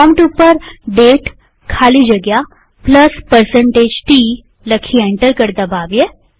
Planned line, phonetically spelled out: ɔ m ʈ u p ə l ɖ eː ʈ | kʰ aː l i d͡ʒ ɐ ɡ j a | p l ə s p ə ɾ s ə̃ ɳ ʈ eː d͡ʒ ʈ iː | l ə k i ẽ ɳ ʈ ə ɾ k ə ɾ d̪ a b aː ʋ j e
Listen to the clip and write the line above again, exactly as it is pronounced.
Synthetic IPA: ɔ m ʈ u p ə ɾ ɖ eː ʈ | kʰ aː l i d͡ʒ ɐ ɡ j a | p l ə s p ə ɾ s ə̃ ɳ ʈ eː d͡ʒ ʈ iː | l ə kʰ i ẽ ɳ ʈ ə ɾ k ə ɾ d̪ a b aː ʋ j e